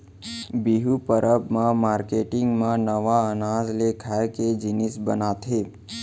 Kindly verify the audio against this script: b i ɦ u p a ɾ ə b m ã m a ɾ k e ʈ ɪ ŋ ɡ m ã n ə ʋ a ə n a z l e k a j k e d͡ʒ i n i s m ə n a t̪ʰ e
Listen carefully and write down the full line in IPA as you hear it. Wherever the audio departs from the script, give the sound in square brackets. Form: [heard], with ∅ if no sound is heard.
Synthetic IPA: b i ɦ u p [ə] ɾ ə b m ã m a ɾ k e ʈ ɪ ŋ ɡ m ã n ə ʋ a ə n a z l e [kʰ] a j k e d͡ʒ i n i s [b] ə n a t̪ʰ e